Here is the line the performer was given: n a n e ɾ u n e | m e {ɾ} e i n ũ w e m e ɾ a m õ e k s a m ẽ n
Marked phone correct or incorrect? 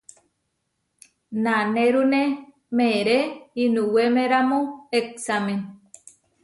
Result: correct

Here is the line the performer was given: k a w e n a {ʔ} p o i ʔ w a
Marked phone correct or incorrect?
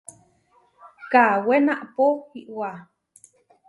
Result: correct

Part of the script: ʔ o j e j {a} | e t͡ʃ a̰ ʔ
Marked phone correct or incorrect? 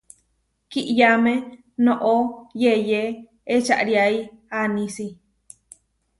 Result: incorrect: e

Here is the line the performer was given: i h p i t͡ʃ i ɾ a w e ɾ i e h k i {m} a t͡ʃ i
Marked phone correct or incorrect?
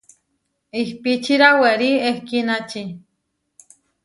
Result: incorrect: n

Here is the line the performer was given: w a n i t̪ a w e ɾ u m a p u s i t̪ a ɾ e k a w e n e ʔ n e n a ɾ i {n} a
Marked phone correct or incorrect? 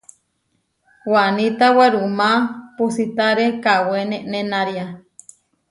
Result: incorrect: none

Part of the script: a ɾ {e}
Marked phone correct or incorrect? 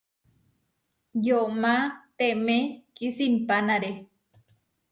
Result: correct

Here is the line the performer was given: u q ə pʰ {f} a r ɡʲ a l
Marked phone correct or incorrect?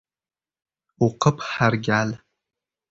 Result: incorrect: ħ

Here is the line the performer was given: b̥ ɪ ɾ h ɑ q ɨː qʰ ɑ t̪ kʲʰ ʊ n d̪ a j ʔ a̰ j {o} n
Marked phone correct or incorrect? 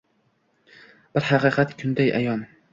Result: incorrect: ɒ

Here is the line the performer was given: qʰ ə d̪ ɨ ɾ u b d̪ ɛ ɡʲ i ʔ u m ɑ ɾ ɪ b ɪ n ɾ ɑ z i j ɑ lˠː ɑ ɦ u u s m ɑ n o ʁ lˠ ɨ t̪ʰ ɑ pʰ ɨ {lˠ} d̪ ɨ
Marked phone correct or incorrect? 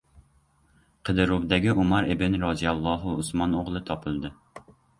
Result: correct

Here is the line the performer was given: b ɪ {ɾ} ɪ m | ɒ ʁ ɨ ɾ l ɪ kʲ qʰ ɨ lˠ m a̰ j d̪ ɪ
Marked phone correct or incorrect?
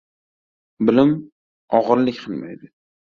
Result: incorrect: l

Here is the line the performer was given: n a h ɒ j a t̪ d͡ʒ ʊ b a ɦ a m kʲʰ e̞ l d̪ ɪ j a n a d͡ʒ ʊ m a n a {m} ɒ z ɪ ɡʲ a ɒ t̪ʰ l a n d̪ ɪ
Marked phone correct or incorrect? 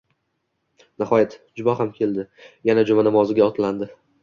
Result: correct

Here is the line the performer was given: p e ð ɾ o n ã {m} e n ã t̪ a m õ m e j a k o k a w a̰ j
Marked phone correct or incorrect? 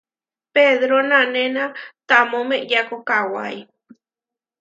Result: incorrect: n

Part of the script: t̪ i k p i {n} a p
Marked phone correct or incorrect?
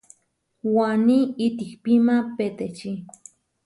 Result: incorrect: m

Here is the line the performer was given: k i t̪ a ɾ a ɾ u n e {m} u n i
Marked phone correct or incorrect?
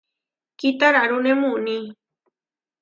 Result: correct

